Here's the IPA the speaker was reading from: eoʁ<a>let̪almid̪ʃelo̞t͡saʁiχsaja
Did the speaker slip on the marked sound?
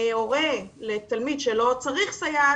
yes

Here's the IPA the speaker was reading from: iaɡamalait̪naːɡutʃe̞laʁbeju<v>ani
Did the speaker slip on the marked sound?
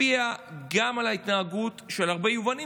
no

